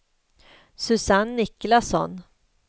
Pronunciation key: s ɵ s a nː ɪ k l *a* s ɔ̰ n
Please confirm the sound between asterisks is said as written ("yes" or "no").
yes